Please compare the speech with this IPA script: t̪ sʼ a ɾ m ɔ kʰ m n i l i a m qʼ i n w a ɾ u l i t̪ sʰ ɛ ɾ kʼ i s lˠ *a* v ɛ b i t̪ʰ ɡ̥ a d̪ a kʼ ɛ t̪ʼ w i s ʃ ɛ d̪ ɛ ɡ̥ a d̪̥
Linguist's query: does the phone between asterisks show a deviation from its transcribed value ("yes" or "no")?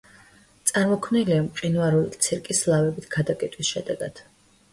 no